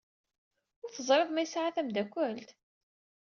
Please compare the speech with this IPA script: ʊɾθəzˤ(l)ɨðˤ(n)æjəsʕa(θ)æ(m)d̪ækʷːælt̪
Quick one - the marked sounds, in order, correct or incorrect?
incorrect: ɾ, incorrect: m, correct, correct

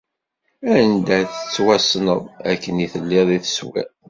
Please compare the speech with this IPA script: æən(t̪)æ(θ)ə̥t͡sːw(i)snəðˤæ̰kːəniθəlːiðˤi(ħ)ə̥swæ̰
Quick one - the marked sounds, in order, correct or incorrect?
incorrect: d̪, correct, incorrect: æ, incorrect: θ

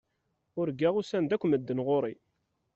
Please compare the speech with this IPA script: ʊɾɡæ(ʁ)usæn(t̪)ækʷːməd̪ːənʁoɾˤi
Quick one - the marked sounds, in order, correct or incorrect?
correct, incorrect: d̪

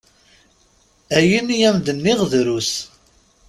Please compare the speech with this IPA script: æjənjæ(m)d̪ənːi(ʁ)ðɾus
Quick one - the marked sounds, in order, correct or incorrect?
correct, correct

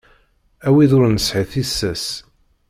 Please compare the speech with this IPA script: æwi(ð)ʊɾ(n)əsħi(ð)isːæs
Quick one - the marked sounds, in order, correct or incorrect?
correct, correct, incorrect: θ

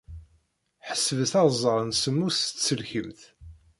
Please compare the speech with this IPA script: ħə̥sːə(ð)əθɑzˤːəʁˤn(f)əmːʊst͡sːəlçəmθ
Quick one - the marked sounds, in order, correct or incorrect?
incorrect: v, incorrect: s

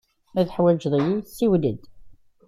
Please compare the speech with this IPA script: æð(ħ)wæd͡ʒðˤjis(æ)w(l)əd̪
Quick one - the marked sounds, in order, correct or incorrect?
correct, incorrect: i, correct

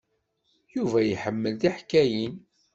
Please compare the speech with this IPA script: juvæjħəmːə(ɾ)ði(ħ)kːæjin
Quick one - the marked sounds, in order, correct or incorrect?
incorrect: l, correct

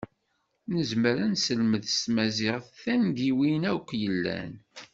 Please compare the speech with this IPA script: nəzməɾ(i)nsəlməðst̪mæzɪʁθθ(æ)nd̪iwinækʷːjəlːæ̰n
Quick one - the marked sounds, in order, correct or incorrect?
incorrect: æ, correct

